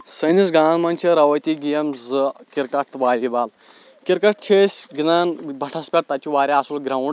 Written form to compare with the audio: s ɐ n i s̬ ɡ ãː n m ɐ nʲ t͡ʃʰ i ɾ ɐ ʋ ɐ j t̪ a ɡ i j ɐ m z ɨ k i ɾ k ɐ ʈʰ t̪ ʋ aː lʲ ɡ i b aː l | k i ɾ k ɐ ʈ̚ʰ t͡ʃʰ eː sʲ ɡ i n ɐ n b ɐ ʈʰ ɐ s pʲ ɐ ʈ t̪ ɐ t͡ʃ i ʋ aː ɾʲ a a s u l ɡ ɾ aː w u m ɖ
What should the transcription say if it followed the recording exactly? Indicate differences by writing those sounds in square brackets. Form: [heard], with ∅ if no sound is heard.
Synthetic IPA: s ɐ n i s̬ ɡ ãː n m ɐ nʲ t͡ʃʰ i ɾ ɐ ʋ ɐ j t̪ [i] ɡ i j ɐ m z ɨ k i ɾ k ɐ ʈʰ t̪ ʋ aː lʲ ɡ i b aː l | k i ɾ k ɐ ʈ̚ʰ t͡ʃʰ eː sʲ ɡ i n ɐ n b ɐ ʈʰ ɐ s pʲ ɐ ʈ t̪ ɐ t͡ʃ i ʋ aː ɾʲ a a s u l ɡ ɾ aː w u [ɳ] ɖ